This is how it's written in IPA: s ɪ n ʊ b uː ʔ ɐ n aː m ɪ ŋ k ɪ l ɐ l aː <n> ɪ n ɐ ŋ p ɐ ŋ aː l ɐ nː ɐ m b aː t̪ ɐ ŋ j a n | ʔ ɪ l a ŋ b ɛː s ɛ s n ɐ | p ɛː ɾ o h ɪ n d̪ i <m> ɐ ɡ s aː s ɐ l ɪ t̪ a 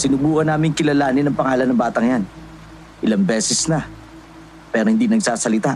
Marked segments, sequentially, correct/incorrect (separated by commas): correct, incorrect